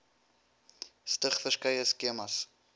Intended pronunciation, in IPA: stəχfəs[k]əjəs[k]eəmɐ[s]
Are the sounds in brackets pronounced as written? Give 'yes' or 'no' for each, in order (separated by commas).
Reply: yes, yes, yes